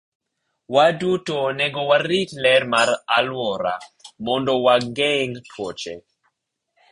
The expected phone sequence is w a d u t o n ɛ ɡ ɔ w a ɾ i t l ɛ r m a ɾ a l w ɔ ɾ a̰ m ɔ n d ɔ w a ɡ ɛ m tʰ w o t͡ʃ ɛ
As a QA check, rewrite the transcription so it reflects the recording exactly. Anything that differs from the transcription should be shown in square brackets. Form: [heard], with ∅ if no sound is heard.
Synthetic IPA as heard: w a d u t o n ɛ ɡ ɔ w a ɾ i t l ɛ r m a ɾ a l w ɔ ɾ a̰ m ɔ n d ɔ w a ɡ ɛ [ŋ] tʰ w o t͡ʃ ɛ